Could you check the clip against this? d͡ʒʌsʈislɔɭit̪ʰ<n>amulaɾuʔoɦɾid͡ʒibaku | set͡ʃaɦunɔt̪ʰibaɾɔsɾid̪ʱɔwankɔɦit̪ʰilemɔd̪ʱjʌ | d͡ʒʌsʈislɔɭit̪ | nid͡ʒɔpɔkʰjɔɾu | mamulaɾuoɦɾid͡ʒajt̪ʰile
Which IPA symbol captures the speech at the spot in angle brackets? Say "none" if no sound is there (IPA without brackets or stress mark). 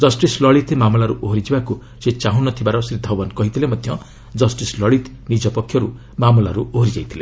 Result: m